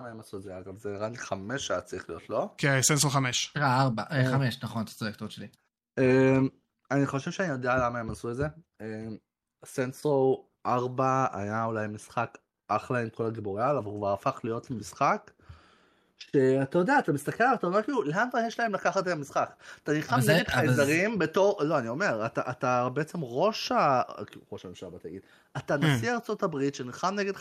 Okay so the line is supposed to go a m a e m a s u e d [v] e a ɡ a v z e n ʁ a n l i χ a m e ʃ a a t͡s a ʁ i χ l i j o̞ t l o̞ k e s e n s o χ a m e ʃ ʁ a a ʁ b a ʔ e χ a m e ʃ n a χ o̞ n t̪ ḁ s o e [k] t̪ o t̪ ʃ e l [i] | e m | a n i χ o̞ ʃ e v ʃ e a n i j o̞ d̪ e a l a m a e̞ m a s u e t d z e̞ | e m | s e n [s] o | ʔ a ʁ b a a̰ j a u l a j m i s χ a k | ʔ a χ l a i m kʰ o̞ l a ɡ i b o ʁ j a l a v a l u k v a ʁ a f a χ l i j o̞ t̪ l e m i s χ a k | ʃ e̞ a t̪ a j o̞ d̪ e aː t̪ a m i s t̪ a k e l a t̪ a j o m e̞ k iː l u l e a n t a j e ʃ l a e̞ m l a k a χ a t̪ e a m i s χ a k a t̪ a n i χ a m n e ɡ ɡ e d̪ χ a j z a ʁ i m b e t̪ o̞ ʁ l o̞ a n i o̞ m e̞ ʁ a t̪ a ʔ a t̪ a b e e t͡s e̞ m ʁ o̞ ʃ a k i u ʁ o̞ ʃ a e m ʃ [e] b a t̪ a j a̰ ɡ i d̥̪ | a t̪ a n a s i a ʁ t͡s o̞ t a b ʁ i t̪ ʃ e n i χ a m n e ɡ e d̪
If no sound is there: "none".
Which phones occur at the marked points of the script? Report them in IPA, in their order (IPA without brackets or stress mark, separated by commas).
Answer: z, k, i, s, a